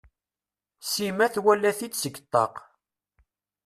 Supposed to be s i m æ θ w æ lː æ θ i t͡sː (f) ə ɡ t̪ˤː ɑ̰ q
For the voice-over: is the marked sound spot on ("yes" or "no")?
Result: no